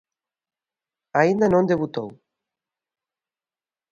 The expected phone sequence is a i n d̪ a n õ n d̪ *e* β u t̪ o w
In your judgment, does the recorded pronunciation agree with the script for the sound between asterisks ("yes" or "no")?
yes